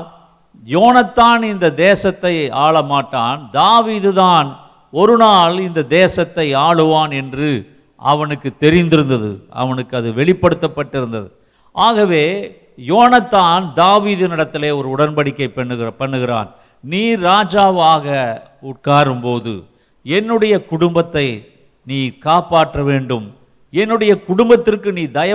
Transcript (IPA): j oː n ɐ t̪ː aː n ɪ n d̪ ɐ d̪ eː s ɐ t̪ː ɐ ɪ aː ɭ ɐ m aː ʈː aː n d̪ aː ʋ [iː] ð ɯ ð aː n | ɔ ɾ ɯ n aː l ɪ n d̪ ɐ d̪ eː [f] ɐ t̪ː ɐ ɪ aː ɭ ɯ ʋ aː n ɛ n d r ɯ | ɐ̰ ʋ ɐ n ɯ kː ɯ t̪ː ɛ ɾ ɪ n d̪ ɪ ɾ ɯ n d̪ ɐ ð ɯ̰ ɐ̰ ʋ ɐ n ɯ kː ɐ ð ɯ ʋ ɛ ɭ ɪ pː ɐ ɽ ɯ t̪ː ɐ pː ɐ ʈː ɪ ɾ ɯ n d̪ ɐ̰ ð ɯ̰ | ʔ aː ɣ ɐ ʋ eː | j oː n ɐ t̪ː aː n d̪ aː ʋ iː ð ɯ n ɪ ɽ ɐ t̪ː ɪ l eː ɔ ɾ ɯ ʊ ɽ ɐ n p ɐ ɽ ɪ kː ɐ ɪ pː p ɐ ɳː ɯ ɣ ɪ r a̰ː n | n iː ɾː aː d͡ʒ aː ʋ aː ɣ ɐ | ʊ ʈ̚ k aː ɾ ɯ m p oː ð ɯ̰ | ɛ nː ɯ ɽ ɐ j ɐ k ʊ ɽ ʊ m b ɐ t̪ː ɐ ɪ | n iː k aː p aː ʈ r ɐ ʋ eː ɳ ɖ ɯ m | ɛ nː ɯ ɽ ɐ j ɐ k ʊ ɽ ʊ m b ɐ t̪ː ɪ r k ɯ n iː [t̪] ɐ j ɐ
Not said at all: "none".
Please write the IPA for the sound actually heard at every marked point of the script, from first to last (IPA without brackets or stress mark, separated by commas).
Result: iː, s, d̪